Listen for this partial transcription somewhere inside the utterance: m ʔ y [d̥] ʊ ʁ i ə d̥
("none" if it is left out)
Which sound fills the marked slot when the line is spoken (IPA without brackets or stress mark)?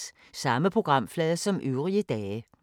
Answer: none